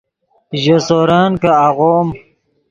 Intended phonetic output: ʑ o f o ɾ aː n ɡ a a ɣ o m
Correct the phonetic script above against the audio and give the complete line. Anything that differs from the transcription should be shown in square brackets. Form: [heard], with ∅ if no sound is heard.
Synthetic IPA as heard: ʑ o [s] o ɾ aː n [k] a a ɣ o m

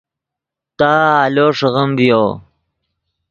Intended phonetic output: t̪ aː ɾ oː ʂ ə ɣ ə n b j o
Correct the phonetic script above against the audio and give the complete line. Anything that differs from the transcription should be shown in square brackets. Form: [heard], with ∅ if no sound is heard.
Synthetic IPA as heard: t̪ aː [l] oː ʂ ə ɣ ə [m] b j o

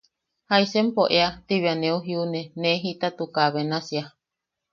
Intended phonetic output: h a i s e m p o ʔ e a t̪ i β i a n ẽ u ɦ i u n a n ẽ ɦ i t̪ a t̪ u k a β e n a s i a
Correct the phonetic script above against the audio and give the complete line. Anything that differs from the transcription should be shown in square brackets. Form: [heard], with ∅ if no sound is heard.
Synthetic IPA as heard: h a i s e m p o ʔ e a t̪ i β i a n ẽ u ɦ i u n [e] n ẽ ɦ i t̪ a t̪ u k a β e n a s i a

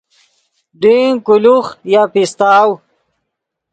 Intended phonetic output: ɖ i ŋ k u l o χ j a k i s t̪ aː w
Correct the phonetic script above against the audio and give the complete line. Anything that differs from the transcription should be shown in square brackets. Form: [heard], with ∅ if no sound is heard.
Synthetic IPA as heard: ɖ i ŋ k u l [u] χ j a [p] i s t̪ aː w

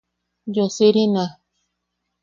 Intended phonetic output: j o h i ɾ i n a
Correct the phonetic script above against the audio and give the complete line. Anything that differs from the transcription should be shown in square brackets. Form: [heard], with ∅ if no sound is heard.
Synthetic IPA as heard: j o [s] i ɾ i n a

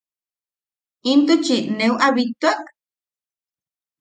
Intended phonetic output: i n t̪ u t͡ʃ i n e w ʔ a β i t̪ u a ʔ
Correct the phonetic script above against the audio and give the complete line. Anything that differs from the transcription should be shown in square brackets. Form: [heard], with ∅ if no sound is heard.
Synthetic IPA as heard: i n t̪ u t͡ʃ i n e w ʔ a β i t̪ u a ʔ

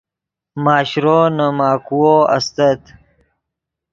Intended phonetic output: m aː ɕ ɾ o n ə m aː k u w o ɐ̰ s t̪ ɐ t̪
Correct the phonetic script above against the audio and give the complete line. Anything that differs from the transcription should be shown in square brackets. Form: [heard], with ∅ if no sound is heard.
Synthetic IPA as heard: m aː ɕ ɾ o n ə m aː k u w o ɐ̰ s t̪ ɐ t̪

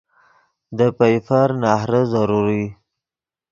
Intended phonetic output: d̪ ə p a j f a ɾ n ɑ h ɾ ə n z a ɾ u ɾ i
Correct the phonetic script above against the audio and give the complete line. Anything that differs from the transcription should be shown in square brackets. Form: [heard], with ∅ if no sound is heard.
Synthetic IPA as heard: d̪ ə p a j f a ɾ n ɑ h ɾ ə [∅] z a ɾ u ɾ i

